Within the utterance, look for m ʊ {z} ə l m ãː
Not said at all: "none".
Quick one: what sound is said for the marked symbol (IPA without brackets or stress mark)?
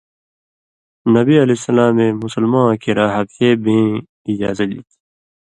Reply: s